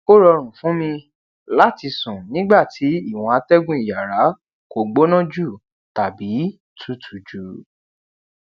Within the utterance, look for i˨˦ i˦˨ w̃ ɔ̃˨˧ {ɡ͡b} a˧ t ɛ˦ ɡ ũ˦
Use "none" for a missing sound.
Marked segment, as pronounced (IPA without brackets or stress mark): none